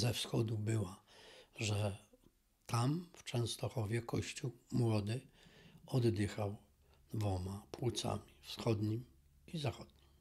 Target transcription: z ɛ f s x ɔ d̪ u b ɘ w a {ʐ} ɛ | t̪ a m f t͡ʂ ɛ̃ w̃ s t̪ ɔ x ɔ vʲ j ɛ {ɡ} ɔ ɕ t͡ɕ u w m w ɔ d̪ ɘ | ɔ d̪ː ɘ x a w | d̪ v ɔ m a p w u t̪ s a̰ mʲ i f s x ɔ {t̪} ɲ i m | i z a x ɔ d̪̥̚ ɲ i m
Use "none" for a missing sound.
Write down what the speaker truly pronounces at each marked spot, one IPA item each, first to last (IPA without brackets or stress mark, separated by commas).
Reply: ʐ, k, d̪